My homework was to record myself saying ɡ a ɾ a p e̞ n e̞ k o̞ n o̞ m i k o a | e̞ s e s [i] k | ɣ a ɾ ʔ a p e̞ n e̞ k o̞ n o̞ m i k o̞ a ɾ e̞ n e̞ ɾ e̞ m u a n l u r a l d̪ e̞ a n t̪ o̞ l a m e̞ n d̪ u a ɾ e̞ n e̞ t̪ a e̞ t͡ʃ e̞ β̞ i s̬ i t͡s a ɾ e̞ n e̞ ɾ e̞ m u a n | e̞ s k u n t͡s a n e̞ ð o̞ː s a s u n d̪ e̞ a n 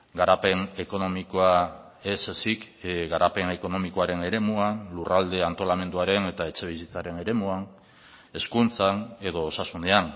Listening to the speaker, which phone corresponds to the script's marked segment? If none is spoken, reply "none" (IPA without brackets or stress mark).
i